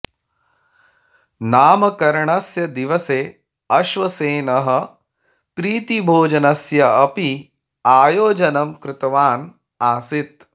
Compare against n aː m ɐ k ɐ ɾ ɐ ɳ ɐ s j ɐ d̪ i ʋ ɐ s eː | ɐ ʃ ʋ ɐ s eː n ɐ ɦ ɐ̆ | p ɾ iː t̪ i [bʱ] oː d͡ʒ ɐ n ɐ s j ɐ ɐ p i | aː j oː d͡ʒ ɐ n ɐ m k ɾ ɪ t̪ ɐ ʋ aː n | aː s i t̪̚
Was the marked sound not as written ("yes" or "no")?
no